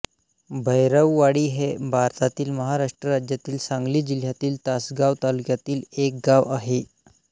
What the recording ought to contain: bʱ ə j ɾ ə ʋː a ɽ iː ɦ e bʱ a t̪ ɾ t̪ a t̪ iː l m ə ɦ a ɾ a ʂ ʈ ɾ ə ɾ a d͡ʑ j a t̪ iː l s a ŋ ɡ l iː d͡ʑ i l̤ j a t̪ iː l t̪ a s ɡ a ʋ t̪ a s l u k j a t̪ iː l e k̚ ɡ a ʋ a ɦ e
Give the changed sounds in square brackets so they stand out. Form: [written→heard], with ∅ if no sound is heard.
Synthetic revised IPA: bʱ ə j ɾ ə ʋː a ɽ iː ɦ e bʱ a [t̪→∅] ɾ t̪ a t̪ iː l m ə ɦ a ɾ a ʂ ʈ ɾ ə ɾ a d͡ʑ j a t̪ iː l s a ŋ ɡ l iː d͡ʑ i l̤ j a t̪ iː l t̪ a s ɡ a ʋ t̪ a [s→∅] l u k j a t̪ iː l e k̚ ɡ a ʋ a ɦ e